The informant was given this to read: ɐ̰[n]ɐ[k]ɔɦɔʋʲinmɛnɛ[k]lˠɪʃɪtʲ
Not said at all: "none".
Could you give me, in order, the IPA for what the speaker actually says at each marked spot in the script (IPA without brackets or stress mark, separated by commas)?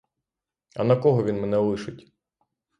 n, k, none